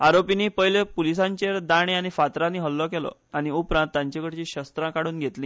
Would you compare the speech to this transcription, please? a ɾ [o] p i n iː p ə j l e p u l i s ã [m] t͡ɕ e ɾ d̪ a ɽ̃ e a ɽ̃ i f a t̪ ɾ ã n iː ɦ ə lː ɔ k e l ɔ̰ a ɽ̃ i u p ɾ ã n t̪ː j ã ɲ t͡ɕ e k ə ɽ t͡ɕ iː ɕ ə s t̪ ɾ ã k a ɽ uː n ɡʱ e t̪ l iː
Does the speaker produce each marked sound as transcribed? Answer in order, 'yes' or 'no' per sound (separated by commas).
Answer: yes, no